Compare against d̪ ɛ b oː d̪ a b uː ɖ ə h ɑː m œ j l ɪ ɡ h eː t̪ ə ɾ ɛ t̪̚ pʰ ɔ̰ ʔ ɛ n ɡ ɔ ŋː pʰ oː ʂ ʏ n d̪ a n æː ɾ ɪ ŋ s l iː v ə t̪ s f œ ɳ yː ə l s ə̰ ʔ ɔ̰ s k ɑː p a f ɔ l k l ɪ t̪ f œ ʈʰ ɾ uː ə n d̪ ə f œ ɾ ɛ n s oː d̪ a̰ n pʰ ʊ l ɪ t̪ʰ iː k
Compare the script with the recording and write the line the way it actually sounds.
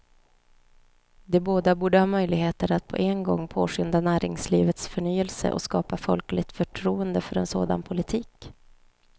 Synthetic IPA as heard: d̪ ɛ b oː d̪ a b uː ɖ ə h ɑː m œ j l ɪ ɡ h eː t̪ ə ɾ a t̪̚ pʰ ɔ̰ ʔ ɛ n ɡ ɔ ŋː pʰ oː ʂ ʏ n d̪ a n æː ɾ ɪ ŋ s l iː v ə t̪ s f œ ɳ yː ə l s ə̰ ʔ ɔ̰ s k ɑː p a f ɔ l k l ɪ t̪ f œ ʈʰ ɾ uː ə n d̪ ə f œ ɾ ɛ n s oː d̪ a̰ n pʰ ʊ l ɪ t̪ʰ iː k